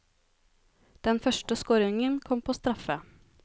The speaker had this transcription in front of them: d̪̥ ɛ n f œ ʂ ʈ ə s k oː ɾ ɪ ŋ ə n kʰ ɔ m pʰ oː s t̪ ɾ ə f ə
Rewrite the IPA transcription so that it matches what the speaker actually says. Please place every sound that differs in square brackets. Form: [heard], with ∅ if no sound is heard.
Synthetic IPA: d̪̥ ɛ n f œ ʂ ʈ ə s k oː ɾ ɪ ŋ ə n kʰ ɔ m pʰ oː s t̪ ɾ [ɑ] f ə